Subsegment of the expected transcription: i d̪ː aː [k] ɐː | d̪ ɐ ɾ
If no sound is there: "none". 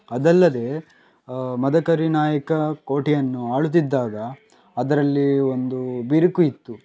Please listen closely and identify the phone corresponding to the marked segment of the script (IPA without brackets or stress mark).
ɡ